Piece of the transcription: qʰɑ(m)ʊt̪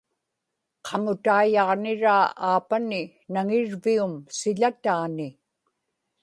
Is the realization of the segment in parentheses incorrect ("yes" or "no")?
no